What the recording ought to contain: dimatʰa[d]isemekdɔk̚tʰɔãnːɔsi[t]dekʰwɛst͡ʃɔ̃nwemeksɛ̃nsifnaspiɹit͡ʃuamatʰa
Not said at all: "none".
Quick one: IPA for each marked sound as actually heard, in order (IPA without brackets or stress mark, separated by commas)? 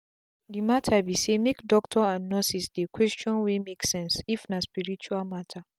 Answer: b, s